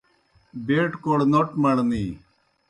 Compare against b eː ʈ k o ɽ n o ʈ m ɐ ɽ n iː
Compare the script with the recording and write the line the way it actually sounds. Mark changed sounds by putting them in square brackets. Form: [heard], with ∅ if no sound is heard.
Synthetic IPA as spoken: b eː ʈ k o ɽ n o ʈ m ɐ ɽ n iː